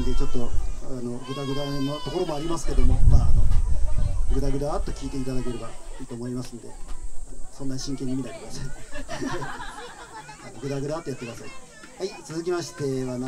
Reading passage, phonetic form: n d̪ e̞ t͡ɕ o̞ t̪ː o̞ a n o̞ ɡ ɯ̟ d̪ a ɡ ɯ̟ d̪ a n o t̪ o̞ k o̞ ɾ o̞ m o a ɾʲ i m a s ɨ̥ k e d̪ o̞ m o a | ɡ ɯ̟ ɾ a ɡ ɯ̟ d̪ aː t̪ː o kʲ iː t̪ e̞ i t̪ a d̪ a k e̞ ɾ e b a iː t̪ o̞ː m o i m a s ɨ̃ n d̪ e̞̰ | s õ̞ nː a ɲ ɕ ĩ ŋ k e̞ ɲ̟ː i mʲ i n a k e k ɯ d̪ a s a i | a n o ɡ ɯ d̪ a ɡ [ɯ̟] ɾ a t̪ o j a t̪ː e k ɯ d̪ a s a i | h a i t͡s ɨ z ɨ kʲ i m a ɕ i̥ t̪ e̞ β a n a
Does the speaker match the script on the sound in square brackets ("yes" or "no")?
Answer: yes